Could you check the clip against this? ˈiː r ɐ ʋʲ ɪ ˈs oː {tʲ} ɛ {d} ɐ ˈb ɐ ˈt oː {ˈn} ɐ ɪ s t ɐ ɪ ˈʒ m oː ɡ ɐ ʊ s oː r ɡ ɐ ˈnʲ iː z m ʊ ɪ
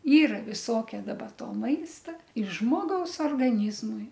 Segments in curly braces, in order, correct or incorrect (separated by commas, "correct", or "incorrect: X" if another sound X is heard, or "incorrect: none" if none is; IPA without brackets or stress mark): incorrect: kʲ, correct, incorrect: m